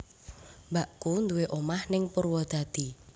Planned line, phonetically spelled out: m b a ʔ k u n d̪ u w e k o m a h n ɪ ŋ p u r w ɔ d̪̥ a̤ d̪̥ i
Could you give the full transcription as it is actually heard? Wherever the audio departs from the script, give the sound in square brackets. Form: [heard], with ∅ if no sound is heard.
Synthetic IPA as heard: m b a ʔ k u n d̪ u w e [ʔ] o m a h n ɪ ŋ p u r w ɔ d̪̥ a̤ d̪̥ i

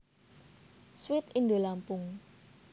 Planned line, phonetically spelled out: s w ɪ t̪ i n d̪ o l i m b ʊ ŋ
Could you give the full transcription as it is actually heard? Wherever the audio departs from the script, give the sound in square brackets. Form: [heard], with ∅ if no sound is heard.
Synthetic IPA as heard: s w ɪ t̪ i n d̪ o l [a] m [p] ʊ ŋ

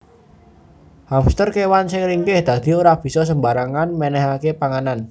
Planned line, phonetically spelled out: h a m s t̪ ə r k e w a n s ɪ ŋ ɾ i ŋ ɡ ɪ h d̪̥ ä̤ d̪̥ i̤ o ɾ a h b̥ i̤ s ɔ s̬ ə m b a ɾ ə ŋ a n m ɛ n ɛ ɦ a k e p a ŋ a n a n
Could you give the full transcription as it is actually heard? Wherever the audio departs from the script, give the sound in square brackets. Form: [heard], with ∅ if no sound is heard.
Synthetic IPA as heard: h a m s t̪ ə r k e w a n s ɪ ŋ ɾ i ŋ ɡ ɪ h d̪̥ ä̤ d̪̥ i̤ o ɾ a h b̥ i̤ s ɔ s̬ ə m b a ɾ [a] ŋ a n m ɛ n ɛ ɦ a k e p a ŋ a n a n

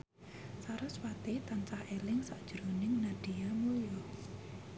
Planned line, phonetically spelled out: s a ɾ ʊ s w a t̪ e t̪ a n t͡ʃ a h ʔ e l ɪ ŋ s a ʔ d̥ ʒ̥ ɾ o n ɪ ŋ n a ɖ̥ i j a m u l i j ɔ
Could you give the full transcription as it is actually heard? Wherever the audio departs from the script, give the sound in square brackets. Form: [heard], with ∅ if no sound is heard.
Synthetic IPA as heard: s a ɾ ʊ s w a t̪ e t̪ a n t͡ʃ a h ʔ e l ɪ ŋ s a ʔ d̥ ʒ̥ ɾ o n ɪ ŋ n a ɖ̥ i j a m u l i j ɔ

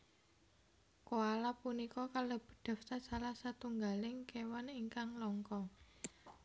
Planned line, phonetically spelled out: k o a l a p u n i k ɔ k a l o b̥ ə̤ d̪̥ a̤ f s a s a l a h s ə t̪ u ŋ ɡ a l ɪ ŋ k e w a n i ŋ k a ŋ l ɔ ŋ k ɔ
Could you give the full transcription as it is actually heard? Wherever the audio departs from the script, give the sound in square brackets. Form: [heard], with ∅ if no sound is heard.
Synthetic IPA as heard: k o a l a p u n i k ɔ k a l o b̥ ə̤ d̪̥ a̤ f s a s a l a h s [a] t̪ u ŋ ɡ a l ɪ ŋ k e w a n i ŋ k a ŋ l ɔ ŋ k ɔ

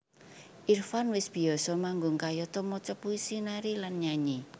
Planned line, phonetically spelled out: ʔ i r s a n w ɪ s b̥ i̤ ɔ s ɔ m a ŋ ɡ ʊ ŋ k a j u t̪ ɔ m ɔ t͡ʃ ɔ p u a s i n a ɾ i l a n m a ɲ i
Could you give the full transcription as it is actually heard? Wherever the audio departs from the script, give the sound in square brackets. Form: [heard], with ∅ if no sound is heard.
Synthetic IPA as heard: ʔ i r [f] a n w ɪ s b̥ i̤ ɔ s ɔ m a ŋ ɡ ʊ ŋ k a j [ɔ] t̪ ɔ m ɔ t͡ʃ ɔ p u [i] s i n a ɾ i l a n [ɲ] a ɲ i

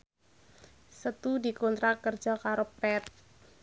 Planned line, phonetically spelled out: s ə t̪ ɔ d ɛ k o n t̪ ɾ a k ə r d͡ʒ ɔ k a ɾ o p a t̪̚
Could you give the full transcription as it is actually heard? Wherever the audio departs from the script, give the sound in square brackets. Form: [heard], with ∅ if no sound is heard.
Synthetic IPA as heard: s ə t̪ [u] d [i] k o n t̪ ɾ a k ə r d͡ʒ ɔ k a ɾ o p [ɛ] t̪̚

